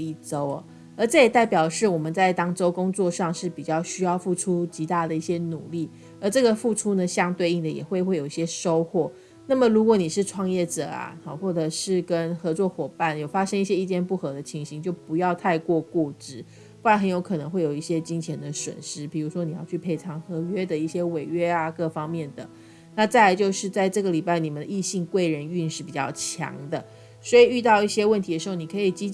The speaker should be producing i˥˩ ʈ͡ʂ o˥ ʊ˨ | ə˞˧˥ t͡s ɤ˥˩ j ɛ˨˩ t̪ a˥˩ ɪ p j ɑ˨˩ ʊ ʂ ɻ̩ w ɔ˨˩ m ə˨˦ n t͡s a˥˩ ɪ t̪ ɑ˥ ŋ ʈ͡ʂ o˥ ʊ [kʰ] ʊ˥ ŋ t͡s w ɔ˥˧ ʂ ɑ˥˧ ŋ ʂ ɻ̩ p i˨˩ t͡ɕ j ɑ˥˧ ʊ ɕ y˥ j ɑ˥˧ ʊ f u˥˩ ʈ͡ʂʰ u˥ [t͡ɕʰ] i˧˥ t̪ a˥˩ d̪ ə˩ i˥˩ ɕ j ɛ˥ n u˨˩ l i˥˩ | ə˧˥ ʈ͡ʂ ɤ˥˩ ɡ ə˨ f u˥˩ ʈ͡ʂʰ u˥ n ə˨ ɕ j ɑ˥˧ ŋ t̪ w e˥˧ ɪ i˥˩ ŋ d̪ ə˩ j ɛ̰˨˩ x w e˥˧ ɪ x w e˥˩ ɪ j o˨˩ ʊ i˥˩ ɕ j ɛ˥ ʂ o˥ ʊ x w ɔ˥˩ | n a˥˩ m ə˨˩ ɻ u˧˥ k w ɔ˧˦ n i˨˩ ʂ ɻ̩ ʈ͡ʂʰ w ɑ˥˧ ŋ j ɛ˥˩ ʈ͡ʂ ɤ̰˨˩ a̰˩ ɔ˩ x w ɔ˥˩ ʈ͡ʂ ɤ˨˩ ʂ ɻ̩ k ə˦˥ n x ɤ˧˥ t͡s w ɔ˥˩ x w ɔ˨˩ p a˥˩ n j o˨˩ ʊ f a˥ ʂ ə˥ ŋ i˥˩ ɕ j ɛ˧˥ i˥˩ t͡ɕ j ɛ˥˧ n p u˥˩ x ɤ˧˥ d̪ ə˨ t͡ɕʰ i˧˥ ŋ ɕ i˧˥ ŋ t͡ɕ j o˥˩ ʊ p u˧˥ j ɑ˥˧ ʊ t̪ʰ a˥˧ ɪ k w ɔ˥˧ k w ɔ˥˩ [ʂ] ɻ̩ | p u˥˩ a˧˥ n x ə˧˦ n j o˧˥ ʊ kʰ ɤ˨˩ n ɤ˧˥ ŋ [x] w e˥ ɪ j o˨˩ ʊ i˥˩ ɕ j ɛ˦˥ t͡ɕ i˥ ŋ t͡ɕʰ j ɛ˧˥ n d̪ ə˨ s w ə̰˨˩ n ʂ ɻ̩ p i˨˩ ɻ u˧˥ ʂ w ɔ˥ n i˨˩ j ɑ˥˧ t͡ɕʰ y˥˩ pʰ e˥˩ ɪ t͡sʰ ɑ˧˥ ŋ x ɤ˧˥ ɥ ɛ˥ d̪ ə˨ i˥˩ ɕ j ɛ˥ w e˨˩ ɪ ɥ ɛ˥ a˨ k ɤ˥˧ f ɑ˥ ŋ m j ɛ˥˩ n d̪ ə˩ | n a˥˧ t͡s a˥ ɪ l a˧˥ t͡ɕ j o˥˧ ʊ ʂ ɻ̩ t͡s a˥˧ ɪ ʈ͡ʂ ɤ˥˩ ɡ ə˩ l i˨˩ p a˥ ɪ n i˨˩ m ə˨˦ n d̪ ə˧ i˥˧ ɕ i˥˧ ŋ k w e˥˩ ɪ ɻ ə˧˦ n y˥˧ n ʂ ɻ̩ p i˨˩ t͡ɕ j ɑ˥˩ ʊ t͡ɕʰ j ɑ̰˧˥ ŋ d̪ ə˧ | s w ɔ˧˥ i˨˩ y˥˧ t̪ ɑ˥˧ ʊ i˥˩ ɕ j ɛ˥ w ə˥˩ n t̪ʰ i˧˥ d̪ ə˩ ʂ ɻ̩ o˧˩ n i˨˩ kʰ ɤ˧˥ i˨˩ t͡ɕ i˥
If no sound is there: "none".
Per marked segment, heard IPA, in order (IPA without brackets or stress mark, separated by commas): k, t͡ɕ, ʈ͡ʂ, x